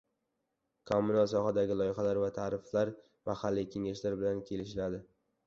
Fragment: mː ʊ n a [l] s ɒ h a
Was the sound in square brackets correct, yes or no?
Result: yes